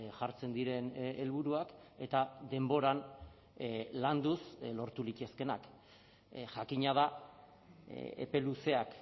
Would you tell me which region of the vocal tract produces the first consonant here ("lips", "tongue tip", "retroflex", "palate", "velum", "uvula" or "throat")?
palate